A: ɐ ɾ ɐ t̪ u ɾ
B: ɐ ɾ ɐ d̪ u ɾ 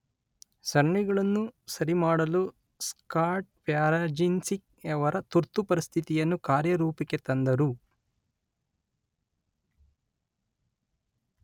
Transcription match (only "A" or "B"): A